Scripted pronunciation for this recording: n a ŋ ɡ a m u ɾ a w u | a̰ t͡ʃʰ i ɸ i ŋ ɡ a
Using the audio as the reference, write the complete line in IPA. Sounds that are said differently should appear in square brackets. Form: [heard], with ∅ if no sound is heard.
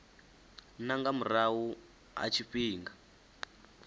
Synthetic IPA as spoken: n a ŋ ɡ a m u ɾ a w u | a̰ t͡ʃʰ i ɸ [iː] ŋ ɡ a